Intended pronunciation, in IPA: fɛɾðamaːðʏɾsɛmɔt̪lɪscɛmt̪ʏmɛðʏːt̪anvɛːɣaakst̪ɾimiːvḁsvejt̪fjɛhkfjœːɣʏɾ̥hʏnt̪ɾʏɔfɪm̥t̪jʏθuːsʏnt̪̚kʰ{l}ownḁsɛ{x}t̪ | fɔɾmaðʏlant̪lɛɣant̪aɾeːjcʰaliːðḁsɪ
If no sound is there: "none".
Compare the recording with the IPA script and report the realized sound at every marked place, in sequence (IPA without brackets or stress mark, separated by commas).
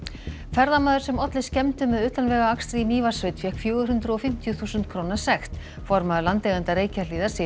ɾ, x